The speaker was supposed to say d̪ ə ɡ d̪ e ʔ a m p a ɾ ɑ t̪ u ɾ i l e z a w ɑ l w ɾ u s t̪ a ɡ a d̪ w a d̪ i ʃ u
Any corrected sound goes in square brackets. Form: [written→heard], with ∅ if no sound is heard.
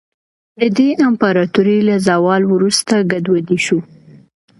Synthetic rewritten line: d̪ ə [ɡ→∅] d̪ e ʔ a m p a ɾ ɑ t̪ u ɾ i l [e→a] z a w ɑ l w ɾ u s t̪ a ɡ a d̪ w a d̪ i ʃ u